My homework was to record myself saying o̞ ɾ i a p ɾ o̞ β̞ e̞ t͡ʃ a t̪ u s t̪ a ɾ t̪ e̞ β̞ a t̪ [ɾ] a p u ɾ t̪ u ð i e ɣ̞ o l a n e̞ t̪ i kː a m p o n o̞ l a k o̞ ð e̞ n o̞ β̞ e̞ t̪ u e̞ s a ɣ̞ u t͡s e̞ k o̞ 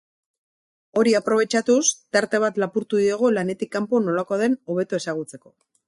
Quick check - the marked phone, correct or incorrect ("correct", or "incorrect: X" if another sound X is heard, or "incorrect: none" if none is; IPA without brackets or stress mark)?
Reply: incorrect: l